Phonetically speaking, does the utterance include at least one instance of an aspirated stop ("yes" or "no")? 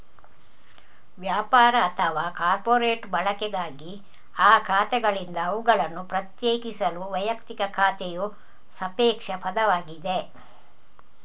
yes